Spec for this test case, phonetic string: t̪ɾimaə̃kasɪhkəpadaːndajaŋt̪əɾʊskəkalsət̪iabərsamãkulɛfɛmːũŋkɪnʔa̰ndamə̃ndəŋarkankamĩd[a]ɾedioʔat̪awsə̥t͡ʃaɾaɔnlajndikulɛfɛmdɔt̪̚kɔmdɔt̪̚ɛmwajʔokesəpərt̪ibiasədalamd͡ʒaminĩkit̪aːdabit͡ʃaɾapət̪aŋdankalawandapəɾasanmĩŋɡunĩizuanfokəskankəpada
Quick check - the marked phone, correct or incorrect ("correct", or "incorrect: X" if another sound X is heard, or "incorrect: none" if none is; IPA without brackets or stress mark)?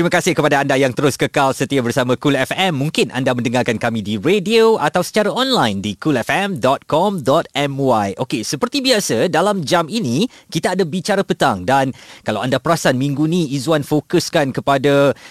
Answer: incorrect: i